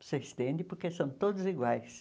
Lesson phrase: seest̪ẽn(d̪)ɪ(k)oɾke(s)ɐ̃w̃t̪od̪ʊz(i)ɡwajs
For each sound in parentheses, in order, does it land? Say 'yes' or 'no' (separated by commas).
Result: yes, no, yes, yes